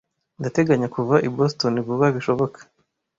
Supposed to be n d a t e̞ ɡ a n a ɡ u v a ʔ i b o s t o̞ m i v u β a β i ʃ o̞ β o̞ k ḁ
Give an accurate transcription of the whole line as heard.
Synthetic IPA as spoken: n d a t e̞ ɡ a ɲ a k u v a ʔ i b o s t o̞ n i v u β a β i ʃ o̞ β o̞ k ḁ